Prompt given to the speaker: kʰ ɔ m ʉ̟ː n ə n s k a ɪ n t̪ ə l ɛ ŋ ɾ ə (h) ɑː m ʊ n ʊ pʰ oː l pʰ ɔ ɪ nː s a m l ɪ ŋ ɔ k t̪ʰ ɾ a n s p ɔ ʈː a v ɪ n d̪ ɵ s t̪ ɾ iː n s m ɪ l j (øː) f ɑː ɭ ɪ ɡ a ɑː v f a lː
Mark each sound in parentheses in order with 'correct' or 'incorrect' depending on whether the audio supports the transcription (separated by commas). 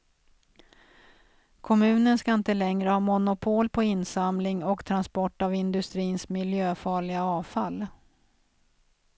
correct, correct